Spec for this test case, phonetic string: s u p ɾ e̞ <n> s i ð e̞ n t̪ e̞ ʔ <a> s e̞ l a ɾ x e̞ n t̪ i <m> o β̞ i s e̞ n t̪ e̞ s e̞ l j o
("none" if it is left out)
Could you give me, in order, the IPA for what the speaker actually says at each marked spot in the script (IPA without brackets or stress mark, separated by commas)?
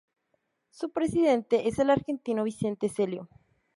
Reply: none, e, n